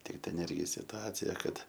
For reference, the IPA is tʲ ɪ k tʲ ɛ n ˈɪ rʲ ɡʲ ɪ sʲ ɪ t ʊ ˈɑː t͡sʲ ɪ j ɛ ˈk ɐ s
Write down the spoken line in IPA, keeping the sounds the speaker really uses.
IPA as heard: tʲ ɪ k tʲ ɛ n ˈɪ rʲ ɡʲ ɪ sʲ ɪ t ʊ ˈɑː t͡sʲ ɪ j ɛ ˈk ɐ t